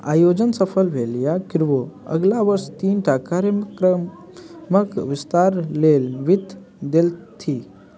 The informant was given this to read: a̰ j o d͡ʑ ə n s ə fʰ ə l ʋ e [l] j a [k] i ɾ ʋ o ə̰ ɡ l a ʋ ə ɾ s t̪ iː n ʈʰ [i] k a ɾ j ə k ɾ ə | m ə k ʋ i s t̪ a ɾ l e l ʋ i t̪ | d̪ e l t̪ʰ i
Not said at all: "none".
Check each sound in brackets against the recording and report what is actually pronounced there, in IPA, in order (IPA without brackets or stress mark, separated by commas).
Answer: l, k, a